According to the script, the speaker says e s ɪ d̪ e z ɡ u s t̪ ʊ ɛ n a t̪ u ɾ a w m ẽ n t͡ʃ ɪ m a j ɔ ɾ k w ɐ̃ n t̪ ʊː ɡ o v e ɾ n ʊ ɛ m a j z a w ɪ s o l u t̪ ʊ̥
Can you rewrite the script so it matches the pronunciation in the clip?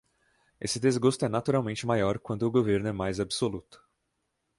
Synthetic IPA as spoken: e s ɪ d̪ e z ɡ o s t̪ ʊ ɛ n a t̪ u ɾ a w m ẽ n t͡ʃ ɪ m a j ɔ ɾ k w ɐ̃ n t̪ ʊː ɡ o v e ɾ n ʊ ɛ m a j z a b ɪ s o l u t̪ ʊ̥

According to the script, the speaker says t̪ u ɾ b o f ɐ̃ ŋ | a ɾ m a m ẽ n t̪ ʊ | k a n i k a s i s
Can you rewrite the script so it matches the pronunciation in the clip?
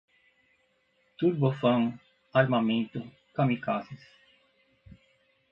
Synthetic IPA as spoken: t̪ u ɾ b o f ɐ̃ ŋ | a ɾ m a m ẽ n t̪ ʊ | k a m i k a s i s

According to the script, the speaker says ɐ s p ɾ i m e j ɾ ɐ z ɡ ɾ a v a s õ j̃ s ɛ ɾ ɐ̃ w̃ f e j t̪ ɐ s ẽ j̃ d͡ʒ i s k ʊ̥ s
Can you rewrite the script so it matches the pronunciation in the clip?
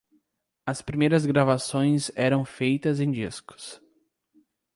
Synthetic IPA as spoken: ɐ s p ɾ i m e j ɾ ɐ z ɡ ɾ a v a s õ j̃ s ɛ ɾ ɐ̃ w̃ f e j t̪ ɐ z ẽ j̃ d͡ʒ i s k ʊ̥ s

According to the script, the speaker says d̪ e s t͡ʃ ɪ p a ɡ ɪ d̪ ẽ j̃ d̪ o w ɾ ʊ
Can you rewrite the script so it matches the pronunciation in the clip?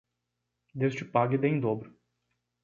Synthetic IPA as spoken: d̪ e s t͡ʃ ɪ p a ɡ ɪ d̪ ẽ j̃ d̪ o b ɾ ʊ

